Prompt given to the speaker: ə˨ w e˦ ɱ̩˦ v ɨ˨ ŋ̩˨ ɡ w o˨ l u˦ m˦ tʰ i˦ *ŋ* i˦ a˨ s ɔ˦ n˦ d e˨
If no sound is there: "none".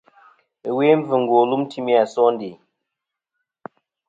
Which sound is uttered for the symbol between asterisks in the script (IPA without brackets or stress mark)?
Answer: m